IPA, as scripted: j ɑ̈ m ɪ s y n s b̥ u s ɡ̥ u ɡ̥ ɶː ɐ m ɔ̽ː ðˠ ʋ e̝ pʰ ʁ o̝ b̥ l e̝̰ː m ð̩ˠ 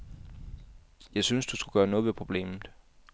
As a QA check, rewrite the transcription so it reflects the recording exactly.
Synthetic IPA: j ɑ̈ ɪ s y n s d̥ u s ɡ̥ u ɡ̥ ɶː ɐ n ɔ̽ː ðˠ ʋ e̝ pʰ ʁ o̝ b̥ l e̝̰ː m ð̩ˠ